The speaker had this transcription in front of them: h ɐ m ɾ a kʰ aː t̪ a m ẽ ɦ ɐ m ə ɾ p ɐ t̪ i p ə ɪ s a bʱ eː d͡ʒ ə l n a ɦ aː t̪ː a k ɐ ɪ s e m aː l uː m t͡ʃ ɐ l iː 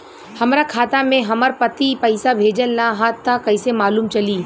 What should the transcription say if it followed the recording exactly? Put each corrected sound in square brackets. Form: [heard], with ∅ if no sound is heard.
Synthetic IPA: h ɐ m ɾ a kʰ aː t̪ a m ẽ ɦ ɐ m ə ɾ p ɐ t̪ i p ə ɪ s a bʱ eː d͡ʒ ə l n a ɦ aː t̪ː a k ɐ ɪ s e m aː l uː m t͡ʃ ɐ l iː